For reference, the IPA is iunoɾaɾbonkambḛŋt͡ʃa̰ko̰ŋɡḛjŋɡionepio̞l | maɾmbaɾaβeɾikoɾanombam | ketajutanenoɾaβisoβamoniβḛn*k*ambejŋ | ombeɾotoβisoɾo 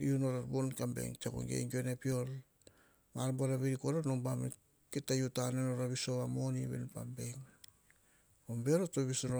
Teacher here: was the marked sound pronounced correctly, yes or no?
no